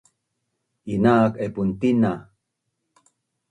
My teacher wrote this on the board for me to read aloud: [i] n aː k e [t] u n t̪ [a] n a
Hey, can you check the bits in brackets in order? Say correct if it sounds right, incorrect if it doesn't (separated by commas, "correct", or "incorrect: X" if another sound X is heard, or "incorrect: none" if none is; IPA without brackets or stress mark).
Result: correct, incorrect: p, incorrect: i